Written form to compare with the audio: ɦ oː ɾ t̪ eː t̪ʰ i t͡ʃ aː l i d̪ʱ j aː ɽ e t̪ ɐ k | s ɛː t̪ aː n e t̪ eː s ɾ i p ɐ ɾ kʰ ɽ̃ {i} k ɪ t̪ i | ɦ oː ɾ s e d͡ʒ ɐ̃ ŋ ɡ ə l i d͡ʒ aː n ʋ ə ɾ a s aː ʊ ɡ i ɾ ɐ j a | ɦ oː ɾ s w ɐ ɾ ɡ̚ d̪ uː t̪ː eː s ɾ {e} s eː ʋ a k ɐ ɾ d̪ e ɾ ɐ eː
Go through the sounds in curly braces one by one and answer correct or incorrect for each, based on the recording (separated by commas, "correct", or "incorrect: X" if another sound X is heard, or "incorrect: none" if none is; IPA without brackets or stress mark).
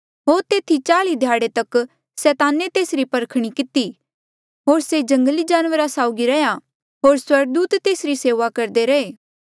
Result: correct, incorrect: i